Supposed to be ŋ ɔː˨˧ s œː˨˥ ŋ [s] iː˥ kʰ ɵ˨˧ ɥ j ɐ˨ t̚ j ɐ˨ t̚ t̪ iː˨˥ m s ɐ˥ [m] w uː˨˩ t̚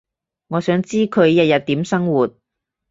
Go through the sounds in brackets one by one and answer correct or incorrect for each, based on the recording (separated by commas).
incorrect, incorrect